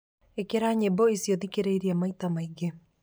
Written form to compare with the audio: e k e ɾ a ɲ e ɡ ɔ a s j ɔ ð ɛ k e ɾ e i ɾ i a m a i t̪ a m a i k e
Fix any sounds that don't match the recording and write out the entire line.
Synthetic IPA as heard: e k e ɾ a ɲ e b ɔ i s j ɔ ð i k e ɾ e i ɾ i a m a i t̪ a m a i ɡ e